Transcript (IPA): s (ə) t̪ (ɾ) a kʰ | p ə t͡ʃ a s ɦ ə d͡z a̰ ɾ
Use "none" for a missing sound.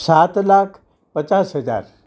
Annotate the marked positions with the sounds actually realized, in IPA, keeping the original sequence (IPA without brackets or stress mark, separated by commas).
a, l